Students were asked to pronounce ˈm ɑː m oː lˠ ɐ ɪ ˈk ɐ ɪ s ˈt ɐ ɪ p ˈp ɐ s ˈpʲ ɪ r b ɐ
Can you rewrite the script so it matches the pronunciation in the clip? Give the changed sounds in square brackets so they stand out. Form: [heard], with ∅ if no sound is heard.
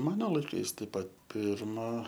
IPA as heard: ˈm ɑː [n] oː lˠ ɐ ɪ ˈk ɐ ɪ s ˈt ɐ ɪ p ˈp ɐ [t] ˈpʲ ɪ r [m] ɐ